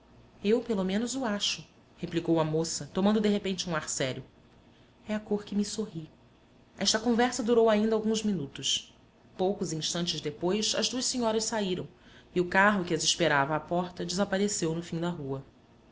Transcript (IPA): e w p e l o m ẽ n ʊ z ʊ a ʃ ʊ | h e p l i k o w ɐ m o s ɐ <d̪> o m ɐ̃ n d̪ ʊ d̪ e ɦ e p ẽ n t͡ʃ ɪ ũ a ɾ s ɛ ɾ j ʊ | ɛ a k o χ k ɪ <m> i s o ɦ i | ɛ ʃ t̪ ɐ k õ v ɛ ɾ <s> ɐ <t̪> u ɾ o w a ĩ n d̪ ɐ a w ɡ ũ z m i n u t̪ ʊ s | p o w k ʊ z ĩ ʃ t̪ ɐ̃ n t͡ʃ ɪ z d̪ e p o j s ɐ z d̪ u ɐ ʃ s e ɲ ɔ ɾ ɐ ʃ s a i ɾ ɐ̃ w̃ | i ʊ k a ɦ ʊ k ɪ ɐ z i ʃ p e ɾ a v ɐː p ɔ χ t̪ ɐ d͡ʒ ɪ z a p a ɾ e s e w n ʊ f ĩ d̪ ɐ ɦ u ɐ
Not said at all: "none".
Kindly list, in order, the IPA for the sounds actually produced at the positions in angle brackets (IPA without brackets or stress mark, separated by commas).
t̪, m, s, d̪